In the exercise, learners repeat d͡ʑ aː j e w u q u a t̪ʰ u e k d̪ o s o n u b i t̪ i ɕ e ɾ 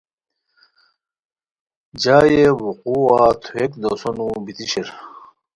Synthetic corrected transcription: d͡ʑ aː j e w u q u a t̪ʰ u e k d̪ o s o n u b i t̪ i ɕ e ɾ